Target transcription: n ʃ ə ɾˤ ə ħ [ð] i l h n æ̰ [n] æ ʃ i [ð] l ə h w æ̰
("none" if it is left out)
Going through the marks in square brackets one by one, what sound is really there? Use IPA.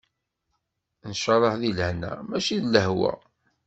ð, m, ð

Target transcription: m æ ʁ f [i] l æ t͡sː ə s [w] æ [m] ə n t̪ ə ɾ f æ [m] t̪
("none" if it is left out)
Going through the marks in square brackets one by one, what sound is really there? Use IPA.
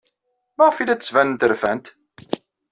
i, v, n, n

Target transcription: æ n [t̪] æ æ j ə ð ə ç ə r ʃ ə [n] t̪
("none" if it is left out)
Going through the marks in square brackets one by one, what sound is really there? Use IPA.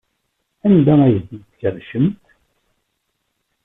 d̪, m

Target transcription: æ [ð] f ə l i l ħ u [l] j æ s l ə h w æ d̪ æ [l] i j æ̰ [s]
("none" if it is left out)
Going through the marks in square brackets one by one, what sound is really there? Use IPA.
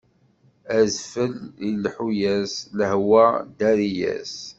z, none, ɾ, s

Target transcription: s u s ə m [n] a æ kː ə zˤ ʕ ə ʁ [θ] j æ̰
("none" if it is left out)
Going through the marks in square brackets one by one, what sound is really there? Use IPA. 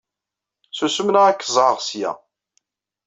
n, s

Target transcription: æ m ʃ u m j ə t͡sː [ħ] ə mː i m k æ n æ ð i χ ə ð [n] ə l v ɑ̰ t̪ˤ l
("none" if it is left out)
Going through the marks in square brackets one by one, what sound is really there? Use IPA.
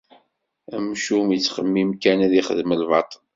χ, m

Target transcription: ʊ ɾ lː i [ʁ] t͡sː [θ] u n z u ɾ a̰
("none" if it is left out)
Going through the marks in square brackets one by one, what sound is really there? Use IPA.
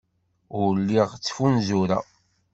ʁ, f

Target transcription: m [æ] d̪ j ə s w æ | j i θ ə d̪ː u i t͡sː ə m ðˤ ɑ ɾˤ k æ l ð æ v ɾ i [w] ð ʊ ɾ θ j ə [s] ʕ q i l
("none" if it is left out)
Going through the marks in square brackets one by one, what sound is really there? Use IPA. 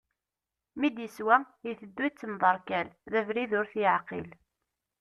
i, none, none

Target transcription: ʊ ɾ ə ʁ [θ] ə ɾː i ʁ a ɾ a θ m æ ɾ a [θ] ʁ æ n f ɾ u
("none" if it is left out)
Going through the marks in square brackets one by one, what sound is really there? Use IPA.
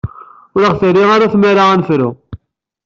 θ, none

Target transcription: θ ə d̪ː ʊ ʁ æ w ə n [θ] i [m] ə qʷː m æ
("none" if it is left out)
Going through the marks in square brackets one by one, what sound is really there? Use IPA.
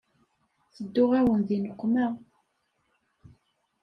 ð, n

